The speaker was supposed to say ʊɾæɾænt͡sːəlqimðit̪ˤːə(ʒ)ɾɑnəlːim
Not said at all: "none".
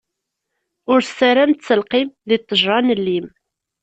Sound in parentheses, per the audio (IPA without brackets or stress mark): ʒ